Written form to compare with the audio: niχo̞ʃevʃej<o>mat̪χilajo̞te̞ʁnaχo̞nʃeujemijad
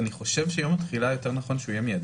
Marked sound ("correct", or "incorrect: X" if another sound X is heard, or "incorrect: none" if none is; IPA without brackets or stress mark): correct